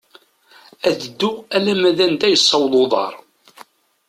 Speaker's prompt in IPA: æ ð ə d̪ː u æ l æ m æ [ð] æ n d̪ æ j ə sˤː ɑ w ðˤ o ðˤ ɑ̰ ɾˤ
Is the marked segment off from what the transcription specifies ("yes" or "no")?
no